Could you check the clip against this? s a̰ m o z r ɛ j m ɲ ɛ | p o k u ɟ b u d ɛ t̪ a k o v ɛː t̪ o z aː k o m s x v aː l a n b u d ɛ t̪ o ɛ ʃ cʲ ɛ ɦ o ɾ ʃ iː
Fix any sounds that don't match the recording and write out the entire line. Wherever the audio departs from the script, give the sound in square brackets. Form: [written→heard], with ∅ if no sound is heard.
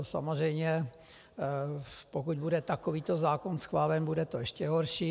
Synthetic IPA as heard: s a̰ m o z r ɛ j m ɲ ɛ | p o k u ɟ b u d ɛ t̪ a k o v [ɛː→iː] t̪ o z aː k o [m→n] s x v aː l [a→ɛ] n b u d ɛ t̪ o ɛ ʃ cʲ ɛ ɦ o ɾ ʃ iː